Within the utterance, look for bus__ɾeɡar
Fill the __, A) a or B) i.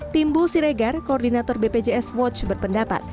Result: B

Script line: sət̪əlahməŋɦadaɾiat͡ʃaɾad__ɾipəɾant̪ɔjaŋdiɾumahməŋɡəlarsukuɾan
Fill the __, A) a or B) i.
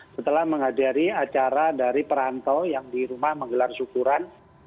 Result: A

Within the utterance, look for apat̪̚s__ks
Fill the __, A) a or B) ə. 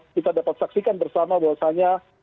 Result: A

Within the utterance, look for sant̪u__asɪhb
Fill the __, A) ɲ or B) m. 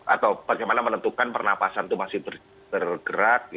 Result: B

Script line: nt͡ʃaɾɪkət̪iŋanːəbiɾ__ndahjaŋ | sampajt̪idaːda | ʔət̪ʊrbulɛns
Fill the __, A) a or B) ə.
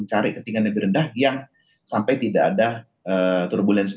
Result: B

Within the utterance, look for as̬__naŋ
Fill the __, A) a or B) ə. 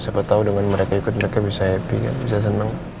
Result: B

